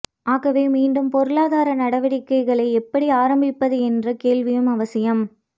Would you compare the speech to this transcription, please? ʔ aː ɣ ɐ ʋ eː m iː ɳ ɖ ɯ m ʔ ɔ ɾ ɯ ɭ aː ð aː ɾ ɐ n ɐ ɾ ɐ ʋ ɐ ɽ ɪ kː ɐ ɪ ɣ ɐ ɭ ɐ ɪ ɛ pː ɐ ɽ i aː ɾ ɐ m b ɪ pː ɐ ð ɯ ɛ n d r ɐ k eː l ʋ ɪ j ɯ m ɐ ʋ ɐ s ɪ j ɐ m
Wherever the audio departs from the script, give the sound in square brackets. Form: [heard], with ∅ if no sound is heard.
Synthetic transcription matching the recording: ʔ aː ɣ ɐ ʋ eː m iː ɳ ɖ ɯ m [p] ɔ ɾ ɯ ɭ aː ð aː ɾ ɐ n ɐ [ɽ] ɐ ʋ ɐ ɽ ɪ kː ɐ ɪ ɣ ɐ ɭ ɐ ɪ ɛ pː ɐ ɽ i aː ɾ ɐ m b ɪ pː ɐ ð ɯ ɛ n d r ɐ k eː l ʋ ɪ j ɯ m ɐ ʋ ɐ s ɪ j ɐ m